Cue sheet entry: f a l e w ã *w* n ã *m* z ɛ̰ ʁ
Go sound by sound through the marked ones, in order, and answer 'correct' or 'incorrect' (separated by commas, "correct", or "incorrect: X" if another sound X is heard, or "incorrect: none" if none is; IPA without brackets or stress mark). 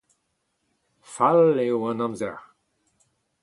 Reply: incorrect: none, correct